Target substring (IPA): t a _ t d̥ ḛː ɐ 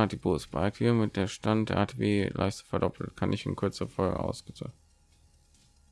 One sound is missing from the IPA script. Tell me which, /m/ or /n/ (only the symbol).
n